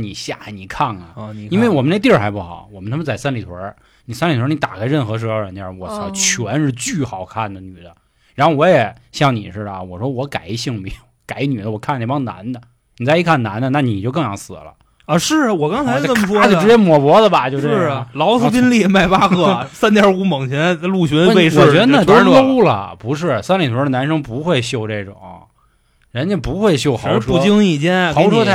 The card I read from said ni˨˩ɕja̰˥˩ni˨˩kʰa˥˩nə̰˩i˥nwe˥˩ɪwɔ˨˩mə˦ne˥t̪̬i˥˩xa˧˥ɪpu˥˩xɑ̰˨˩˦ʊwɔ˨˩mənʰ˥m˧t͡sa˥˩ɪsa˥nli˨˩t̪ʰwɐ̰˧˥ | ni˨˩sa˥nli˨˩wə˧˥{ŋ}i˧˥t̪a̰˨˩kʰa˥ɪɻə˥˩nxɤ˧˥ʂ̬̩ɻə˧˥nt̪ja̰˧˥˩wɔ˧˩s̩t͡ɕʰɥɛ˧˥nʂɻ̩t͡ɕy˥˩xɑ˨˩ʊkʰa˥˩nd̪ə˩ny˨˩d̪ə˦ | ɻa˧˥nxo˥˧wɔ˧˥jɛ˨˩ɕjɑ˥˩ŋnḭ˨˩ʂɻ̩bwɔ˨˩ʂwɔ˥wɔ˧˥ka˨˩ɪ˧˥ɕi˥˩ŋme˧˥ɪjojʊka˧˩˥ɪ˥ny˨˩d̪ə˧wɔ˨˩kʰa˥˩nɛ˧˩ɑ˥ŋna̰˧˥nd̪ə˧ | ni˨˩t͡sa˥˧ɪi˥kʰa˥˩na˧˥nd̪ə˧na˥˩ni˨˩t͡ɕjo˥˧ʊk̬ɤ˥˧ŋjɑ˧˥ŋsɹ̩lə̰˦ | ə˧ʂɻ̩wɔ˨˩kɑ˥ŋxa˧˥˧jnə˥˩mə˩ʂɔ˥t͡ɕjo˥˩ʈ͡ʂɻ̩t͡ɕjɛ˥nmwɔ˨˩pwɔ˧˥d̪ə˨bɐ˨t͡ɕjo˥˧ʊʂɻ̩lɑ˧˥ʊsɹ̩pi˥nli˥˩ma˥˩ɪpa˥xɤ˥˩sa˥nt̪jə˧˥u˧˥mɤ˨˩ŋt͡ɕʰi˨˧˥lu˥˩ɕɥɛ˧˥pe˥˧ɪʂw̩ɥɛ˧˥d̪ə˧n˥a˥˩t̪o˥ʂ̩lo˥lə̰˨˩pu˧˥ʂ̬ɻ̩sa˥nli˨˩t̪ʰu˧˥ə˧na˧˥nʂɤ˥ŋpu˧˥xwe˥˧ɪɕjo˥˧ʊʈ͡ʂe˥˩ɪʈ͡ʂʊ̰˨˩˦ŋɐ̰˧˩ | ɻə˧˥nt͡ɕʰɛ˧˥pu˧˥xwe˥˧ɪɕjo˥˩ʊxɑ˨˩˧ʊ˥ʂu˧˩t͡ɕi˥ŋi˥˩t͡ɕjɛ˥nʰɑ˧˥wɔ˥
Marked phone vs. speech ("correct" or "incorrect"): incorrect